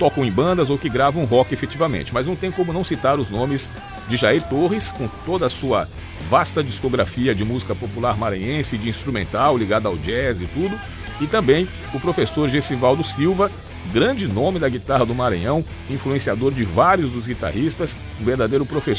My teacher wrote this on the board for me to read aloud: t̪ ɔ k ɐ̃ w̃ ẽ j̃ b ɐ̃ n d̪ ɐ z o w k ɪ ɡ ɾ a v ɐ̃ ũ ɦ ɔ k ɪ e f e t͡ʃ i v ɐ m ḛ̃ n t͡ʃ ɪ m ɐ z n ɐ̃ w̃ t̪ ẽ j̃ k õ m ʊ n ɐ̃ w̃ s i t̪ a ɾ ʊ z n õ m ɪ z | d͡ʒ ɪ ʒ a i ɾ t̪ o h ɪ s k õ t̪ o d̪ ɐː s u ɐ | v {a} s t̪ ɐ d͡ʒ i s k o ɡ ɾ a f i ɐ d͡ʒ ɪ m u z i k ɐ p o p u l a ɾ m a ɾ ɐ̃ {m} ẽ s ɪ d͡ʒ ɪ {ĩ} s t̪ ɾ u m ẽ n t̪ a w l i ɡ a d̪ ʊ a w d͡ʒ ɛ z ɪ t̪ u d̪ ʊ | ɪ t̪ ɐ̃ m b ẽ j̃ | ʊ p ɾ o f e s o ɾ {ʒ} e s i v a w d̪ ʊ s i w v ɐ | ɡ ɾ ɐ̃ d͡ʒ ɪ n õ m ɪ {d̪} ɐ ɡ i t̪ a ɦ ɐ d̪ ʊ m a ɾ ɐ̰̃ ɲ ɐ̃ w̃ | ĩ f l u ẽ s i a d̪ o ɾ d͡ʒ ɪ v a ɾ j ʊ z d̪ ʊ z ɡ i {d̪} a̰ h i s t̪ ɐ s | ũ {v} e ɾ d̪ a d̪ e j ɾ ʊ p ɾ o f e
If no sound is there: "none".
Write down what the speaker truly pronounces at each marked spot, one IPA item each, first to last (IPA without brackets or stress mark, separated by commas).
a, ɲ, ĩ, ʒ, d̪, t̪, v